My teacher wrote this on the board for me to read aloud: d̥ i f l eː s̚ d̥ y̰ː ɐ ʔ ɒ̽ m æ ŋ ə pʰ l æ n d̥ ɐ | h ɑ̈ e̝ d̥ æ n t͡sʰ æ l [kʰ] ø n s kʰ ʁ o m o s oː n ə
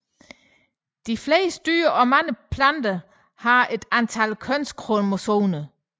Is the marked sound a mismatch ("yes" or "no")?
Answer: no